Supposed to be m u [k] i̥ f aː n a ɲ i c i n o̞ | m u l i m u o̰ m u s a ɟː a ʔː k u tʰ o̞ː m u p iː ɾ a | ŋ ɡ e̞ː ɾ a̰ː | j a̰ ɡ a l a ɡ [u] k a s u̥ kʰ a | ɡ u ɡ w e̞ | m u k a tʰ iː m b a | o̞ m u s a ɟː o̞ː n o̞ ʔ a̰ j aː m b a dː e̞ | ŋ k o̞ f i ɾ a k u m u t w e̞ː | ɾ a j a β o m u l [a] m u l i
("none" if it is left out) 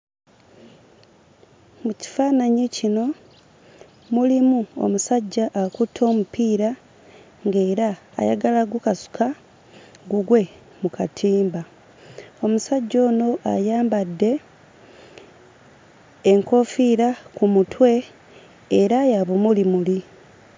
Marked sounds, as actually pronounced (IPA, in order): c, u, i

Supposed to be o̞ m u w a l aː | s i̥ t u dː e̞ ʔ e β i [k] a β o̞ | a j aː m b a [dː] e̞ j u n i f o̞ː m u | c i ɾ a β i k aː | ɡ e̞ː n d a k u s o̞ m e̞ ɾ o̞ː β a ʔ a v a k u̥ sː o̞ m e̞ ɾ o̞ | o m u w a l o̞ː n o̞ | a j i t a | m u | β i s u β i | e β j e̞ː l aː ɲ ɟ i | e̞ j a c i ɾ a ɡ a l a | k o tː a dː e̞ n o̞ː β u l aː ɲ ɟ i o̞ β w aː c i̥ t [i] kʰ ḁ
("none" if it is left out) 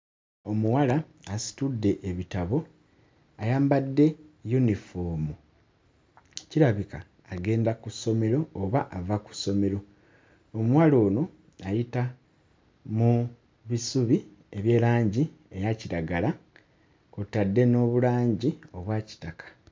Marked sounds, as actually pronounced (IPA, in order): t, dː, a

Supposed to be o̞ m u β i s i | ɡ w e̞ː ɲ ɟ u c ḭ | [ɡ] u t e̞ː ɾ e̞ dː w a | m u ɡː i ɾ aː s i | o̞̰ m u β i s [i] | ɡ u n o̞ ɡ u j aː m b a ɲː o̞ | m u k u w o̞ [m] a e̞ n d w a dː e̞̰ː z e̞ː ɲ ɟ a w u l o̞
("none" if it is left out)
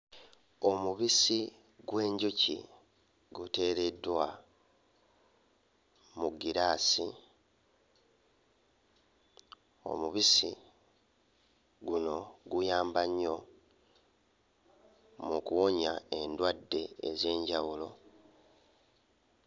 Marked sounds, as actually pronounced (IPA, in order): ɡ, i, ɲ

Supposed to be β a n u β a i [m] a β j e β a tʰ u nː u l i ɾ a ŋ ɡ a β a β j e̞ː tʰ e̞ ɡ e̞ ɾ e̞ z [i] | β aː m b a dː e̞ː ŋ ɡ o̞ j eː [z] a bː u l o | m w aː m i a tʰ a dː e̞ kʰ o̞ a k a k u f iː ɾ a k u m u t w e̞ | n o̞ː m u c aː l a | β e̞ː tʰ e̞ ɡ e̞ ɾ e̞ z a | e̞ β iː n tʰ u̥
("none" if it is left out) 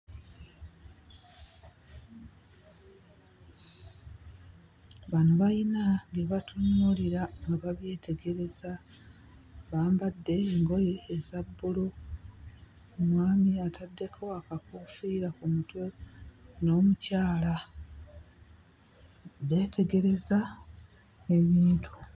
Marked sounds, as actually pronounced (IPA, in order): n, a, z

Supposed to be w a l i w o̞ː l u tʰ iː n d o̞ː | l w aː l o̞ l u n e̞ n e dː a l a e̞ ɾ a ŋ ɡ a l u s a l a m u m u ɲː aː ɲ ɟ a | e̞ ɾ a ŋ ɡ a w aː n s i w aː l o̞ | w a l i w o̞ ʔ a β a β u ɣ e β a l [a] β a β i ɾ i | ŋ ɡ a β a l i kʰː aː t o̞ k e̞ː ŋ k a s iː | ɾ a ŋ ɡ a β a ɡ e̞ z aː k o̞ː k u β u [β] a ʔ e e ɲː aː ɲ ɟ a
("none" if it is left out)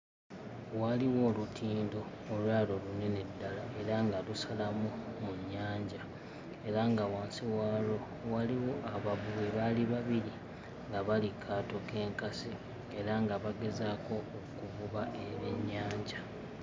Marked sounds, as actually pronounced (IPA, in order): i, β

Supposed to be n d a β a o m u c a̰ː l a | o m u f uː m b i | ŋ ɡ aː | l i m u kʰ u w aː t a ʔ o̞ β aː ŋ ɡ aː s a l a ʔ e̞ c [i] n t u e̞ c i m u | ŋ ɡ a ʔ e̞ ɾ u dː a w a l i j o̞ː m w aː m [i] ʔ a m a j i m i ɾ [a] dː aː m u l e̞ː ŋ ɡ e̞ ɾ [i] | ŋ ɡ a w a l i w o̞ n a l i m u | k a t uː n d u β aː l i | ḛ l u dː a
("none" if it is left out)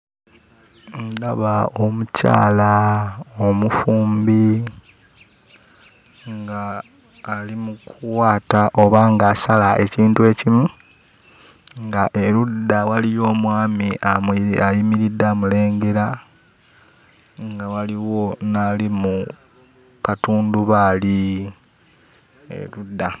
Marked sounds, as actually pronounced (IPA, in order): iː, i, i, a

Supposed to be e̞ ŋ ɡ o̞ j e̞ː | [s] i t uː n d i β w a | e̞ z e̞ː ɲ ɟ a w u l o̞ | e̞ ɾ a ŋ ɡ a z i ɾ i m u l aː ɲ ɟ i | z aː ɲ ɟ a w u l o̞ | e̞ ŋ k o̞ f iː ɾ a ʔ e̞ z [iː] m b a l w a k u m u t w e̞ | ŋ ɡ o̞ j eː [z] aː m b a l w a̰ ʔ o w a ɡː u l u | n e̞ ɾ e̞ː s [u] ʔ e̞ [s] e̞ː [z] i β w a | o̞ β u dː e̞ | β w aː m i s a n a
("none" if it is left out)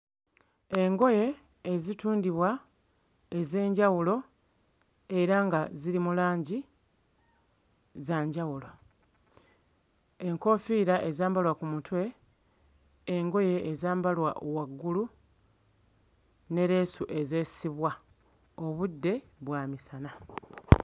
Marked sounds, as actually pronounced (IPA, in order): z, aː, z, u, z, s

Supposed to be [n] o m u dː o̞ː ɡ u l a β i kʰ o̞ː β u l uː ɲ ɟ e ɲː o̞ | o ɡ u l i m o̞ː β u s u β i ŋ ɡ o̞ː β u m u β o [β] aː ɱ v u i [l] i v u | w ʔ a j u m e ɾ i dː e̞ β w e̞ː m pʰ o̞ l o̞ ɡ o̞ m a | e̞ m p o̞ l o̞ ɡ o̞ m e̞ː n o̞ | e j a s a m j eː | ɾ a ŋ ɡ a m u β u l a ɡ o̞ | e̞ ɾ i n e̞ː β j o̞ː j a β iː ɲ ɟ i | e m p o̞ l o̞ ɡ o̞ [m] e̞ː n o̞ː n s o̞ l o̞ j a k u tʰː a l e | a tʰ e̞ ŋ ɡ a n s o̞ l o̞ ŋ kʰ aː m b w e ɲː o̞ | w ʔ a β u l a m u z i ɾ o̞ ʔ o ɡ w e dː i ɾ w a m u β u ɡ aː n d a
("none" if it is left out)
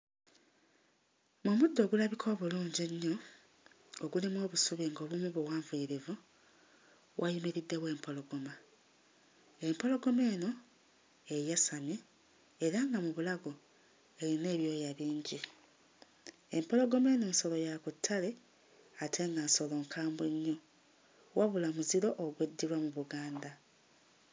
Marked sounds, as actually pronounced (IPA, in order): m, w, ɾ, m

